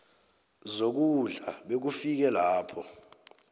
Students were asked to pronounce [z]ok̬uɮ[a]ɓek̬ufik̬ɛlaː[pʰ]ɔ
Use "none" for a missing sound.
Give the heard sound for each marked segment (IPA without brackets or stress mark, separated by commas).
z, a, pʰ